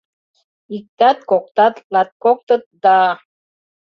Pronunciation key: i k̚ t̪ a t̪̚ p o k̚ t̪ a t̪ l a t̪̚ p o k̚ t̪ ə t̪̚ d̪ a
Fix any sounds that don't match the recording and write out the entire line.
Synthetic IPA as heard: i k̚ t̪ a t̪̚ k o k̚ t̪ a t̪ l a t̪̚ k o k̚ t̪ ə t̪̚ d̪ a